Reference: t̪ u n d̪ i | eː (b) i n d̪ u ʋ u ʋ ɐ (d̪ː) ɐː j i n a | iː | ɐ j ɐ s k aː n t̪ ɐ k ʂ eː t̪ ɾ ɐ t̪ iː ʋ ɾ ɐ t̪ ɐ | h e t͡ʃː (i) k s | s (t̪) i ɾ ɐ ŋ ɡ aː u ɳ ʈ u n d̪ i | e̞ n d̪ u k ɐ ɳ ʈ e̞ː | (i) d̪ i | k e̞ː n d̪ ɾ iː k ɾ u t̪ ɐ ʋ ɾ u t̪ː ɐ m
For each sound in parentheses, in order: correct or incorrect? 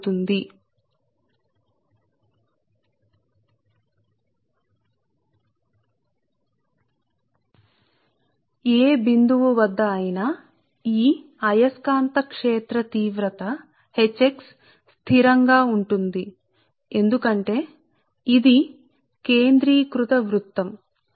correct, correct, incorrect, incorrect, correct

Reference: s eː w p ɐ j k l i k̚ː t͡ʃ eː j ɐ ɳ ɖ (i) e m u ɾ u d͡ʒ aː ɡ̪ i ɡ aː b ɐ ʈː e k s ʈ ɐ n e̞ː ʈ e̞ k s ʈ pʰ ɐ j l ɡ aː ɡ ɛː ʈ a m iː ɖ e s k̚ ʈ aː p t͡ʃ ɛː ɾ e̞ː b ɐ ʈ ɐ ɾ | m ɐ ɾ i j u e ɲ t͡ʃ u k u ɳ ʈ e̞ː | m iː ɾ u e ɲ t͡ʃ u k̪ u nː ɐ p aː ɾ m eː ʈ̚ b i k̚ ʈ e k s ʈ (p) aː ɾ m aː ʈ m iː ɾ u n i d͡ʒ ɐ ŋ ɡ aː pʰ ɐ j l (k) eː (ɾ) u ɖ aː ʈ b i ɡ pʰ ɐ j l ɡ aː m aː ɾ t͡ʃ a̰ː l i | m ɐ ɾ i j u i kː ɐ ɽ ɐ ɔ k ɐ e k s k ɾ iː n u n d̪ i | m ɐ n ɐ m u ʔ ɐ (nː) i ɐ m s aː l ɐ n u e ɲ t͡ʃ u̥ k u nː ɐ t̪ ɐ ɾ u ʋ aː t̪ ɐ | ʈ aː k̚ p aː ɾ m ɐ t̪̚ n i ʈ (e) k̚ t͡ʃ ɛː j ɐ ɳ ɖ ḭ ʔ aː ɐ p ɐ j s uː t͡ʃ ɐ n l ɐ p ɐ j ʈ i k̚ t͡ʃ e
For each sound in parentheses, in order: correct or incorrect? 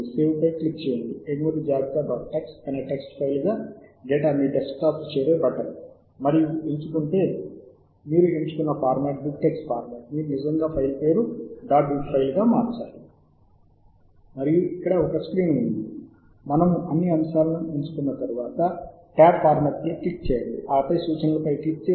correct, correct, incorrect, correct, correct, incorrect

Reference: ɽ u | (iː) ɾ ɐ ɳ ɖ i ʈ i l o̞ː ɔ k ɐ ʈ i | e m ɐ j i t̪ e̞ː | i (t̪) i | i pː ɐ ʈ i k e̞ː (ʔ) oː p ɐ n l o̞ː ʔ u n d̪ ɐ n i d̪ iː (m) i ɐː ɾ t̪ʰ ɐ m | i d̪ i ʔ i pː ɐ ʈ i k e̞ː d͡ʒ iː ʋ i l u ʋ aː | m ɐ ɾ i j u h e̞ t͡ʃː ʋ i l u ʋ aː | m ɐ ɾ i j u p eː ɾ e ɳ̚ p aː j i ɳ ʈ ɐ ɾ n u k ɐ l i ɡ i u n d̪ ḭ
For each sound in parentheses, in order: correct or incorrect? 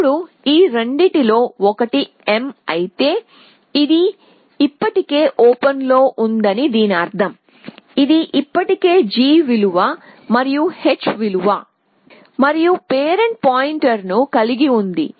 correct, incorrect, correct, incorrect

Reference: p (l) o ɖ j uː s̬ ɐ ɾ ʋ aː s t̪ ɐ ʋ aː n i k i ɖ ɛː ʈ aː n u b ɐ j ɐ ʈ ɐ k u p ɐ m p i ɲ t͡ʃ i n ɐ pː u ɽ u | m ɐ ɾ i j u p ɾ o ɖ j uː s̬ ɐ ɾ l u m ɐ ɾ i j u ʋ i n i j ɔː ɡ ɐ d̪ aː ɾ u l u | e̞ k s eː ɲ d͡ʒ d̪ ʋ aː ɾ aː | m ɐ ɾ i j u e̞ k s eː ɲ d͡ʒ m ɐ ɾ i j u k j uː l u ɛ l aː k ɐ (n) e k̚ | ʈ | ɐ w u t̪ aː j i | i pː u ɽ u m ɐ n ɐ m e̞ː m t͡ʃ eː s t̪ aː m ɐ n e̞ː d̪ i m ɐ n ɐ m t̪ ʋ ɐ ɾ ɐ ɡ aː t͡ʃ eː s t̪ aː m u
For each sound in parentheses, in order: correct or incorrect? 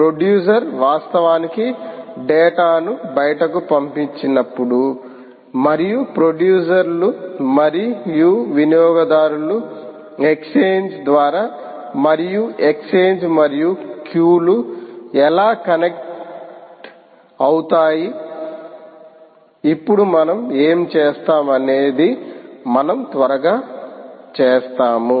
incorrect, correct

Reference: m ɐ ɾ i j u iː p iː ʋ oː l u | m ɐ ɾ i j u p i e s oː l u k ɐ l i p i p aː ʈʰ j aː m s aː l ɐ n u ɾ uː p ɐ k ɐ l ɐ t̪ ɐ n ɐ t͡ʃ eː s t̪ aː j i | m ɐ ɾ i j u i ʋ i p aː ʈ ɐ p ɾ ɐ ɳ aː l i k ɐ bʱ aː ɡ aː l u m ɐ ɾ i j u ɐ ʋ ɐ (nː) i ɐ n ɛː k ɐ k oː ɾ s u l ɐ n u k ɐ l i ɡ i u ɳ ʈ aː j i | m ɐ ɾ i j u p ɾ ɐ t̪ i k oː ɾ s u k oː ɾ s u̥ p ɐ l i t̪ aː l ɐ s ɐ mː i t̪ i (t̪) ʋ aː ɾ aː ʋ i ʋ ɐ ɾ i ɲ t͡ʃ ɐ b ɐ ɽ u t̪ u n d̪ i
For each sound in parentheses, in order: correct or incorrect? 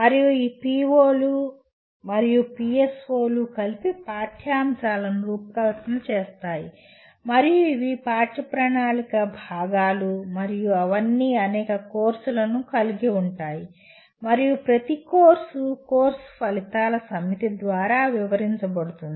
correct, incorrect

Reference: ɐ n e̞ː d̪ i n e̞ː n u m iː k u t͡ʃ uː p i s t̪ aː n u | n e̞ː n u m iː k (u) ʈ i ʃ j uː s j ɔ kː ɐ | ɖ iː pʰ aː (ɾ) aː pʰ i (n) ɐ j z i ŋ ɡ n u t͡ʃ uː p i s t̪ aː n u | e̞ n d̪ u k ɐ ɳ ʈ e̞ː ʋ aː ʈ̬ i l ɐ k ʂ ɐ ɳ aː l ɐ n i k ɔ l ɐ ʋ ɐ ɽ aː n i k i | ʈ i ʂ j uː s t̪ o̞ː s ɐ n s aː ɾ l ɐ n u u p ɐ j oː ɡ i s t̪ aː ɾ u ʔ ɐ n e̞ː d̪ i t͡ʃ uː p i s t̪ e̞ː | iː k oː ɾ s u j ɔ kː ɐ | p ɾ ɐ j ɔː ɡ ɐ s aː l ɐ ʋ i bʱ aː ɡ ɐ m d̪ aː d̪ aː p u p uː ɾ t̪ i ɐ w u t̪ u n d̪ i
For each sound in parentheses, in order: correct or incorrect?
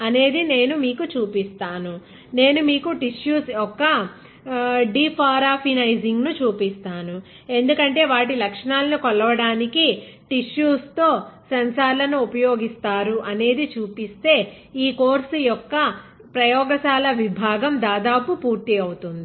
correct, correct, correct

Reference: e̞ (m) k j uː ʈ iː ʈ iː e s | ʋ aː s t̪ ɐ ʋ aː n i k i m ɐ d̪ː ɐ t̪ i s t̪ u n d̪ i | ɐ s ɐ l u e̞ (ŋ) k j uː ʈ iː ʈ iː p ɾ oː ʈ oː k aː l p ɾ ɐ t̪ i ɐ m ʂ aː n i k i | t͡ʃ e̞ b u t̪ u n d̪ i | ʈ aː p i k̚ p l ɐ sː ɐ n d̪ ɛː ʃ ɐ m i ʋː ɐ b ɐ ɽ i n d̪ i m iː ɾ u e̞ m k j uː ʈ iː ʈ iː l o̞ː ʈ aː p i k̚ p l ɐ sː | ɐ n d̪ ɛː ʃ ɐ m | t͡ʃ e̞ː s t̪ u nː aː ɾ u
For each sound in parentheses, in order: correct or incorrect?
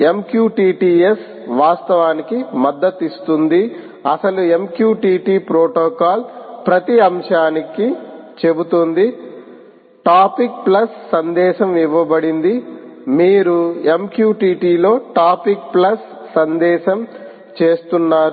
correct, incorrect

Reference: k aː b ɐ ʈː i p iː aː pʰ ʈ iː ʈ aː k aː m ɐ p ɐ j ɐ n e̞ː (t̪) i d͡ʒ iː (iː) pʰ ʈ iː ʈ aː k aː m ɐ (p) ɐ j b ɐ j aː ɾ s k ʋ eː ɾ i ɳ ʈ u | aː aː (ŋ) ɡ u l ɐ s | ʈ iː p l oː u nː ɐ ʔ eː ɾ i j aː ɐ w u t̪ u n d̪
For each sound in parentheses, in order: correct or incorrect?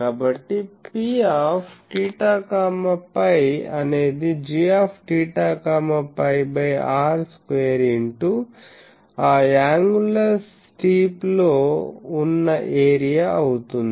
incorrect, incorrect, correct, correct

